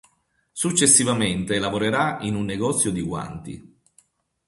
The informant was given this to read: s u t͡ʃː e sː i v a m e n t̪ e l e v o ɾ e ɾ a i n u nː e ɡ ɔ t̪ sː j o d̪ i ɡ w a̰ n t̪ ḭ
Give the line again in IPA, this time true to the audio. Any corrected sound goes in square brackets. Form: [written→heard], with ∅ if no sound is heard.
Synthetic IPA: s u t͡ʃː e sː i v a m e n t̪ e l [e→a] v o ɾ e ɾ a i n u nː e ɡ ɔ t̪ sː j o d̪ i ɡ w a̰ n t̪ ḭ